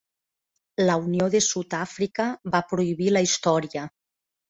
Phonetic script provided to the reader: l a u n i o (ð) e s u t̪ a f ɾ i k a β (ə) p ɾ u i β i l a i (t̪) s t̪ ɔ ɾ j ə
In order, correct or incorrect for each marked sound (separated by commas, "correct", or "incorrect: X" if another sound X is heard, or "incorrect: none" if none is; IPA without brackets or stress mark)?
correct, incorrect: a, incorrect: none